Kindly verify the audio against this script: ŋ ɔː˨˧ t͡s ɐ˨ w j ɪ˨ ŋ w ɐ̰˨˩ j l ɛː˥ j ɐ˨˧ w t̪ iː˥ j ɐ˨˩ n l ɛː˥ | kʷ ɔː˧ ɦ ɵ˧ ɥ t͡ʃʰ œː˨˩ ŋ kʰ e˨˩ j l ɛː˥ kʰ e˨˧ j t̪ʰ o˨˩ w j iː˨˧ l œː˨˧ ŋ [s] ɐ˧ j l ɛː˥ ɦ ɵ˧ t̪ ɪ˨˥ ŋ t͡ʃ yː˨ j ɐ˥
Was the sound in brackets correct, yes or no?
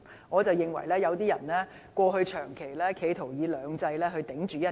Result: no